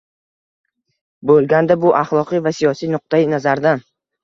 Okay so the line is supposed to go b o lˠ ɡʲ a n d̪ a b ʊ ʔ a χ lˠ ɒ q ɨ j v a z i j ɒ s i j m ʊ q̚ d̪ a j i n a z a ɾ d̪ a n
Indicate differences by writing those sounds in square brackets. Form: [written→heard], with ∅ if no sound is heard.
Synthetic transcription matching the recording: b o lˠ ɡʲ a n d̪ a b ʊ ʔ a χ lˠ ɒ q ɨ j v a [z→s] i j ɒ s i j [m→n] ʊ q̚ [d̪→t̪] a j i n a z a ɾ d̪ a n